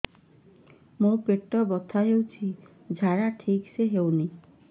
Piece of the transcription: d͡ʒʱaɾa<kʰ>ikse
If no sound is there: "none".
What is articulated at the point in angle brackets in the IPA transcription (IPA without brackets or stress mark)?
ʈʰ